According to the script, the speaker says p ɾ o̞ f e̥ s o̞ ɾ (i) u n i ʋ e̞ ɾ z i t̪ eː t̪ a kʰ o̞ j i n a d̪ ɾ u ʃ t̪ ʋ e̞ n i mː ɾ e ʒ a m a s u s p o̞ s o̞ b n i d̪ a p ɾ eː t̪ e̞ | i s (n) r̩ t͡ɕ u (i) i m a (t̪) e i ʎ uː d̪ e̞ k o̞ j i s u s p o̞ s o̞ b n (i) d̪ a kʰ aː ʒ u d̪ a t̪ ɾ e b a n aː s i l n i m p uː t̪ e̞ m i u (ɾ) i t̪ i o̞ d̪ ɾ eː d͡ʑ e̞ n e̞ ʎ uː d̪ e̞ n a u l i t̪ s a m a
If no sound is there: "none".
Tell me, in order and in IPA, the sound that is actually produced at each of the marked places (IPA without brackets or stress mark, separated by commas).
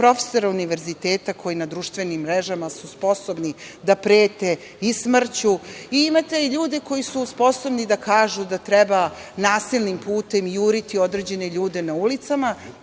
a, m, i, t̪, i, ɾ